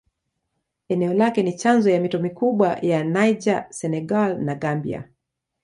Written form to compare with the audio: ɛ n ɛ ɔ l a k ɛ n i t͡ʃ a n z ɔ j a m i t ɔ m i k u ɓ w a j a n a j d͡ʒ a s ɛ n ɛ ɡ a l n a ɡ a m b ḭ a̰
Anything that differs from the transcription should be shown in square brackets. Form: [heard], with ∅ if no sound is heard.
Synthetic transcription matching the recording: ɛ n ɛ ɔ l a k ɛ n i t͡ʃ a n z ɔ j a m i t ɔ m i k u ɓ w a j a n a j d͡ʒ a s ɛ n ɛ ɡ a l n a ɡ a m b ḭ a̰